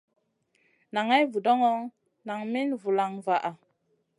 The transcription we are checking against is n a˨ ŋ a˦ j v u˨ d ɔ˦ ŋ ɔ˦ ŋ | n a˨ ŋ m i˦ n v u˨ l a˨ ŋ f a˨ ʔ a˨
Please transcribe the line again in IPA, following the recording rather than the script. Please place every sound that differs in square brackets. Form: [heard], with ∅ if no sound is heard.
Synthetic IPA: n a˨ ŋ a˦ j v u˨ d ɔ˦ ŋ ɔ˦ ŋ | n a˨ ŋ m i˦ n v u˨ l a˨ ŋ [v] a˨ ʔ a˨